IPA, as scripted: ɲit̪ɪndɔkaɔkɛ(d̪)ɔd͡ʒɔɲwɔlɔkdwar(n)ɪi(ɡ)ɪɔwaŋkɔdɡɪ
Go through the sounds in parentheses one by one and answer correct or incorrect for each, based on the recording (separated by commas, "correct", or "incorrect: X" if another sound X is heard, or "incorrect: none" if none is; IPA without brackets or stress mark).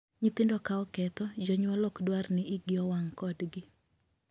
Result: incorrect: t̪, correct, correct